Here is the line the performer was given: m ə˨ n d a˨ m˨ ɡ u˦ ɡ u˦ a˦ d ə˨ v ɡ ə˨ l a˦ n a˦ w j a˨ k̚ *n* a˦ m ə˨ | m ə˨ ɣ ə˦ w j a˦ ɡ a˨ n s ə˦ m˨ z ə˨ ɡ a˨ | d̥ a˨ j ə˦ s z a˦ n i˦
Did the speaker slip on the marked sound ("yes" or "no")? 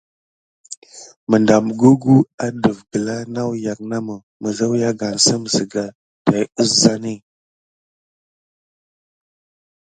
no